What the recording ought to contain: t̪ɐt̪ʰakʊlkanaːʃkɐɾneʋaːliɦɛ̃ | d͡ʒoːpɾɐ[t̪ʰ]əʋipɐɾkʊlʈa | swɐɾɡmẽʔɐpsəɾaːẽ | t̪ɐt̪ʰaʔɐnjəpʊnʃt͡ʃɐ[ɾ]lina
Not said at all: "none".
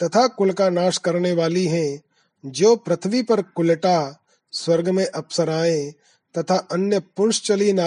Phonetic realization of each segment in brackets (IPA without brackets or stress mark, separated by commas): t̪ʰ, none